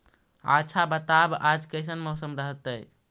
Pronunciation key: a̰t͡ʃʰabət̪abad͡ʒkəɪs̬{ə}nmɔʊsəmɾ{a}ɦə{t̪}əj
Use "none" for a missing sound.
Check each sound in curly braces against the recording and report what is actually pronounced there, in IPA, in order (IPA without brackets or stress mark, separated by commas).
ə, ə, t̪